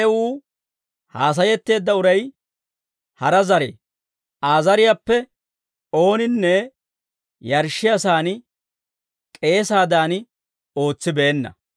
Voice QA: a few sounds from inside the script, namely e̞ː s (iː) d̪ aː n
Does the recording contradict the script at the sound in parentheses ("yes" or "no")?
yes